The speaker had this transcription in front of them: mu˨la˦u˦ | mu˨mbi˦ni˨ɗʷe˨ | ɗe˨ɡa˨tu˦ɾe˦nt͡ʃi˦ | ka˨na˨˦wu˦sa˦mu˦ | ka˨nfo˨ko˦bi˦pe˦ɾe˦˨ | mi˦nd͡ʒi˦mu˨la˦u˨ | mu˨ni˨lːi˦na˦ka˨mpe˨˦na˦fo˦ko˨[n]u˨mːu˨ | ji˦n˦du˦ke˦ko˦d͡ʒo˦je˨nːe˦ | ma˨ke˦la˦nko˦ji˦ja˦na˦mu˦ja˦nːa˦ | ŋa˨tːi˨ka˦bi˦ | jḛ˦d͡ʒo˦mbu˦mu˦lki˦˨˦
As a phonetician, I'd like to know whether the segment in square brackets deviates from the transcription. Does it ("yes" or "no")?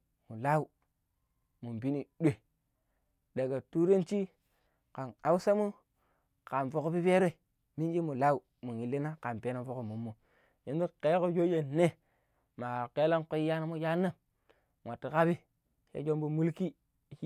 yes